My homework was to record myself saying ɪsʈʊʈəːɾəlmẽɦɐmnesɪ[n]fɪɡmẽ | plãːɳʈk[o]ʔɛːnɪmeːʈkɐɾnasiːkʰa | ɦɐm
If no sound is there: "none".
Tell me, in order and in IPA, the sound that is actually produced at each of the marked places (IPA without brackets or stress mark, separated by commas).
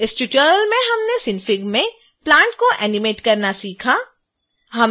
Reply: n, o